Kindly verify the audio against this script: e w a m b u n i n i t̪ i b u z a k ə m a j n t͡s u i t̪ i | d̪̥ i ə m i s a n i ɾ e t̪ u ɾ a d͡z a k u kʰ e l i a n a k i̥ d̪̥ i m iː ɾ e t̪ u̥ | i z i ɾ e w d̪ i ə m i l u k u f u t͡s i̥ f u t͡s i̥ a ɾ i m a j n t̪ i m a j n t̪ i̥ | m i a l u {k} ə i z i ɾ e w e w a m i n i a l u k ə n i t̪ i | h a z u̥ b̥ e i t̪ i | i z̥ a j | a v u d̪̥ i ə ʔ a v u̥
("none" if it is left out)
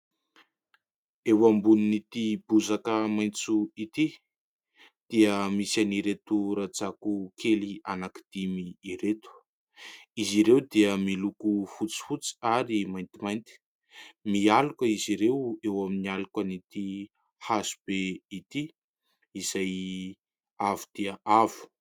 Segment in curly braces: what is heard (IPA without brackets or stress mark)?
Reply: k